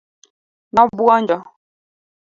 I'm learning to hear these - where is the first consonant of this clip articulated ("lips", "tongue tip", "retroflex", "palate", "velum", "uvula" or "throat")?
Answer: tongue tip